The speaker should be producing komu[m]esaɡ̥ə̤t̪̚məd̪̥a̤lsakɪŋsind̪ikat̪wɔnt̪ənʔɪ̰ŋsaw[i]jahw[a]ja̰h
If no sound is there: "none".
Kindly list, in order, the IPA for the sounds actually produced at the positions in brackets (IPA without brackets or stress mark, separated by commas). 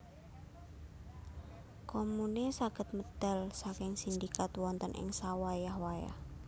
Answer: n, a, a